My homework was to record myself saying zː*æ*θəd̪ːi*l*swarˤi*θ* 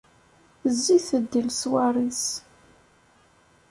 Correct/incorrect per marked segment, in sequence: incorrect, correct, incorrect

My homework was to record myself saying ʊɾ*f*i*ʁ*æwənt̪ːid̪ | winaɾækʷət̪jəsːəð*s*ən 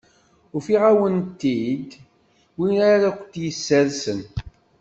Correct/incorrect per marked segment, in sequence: correct, correct, correct

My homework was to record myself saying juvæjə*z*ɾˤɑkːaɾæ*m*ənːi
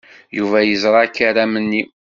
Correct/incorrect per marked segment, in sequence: correct, correct

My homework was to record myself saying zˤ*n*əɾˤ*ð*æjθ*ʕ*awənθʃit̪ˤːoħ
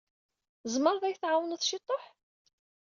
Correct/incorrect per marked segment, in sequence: incorrect, correct, correct

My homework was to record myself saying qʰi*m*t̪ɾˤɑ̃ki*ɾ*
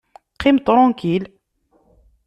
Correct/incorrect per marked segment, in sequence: correct, incorrect

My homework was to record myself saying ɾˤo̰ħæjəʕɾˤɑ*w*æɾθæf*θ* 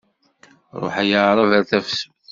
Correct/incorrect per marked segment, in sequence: incorrect, incorrect

